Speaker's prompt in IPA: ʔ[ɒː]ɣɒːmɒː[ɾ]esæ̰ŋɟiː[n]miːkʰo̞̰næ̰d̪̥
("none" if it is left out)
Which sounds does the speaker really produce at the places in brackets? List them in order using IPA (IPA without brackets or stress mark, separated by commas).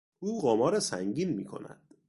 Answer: uː, ɾ, n